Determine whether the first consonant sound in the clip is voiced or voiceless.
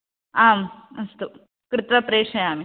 voiced